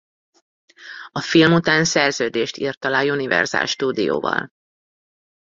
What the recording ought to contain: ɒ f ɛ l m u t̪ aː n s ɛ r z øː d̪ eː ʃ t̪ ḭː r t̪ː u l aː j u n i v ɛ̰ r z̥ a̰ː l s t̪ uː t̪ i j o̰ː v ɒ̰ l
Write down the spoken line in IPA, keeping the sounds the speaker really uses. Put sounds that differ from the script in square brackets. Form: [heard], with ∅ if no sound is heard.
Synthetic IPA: ɒ f [i] l m u t̪ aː n s ɛ r z øː d̪ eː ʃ t̪ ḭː r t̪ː [ɒ] l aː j u n i v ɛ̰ r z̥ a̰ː l [ʃ] t̪ uː [d̪] i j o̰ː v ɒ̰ l